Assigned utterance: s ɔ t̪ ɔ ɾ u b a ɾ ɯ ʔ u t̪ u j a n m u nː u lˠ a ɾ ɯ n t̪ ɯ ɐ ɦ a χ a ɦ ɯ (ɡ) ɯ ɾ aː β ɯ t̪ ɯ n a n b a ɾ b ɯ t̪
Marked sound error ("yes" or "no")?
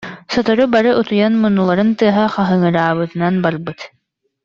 yes